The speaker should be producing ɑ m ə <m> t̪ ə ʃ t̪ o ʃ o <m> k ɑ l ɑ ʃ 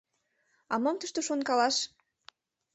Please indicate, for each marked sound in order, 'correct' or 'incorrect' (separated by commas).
correct, incorrect